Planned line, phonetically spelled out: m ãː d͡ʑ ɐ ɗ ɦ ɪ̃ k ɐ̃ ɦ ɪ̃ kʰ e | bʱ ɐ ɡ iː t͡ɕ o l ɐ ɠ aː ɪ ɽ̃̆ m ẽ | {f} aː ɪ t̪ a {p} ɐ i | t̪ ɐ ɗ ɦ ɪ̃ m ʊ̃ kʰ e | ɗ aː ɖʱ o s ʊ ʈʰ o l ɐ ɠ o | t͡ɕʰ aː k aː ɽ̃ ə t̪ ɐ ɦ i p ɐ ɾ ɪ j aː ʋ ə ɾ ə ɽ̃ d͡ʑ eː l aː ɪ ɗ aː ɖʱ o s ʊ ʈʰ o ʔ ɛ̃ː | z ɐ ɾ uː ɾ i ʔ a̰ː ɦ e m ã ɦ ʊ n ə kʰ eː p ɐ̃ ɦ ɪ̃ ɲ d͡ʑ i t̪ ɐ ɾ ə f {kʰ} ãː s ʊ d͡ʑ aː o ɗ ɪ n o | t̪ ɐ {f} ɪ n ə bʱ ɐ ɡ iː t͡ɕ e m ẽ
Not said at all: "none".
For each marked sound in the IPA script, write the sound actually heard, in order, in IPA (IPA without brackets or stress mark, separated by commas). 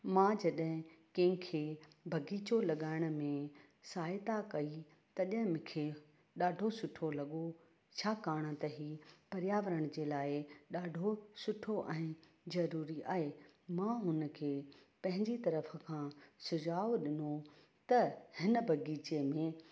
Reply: s, k, kʰ, h